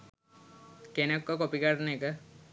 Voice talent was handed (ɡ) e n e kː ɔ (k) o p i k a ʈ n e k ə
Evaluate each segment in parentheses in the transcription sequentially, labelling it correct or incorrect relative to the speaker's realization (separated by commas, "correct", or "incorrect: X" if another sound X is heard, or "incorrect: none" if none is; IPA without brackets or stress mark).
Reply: incorrect: k, correct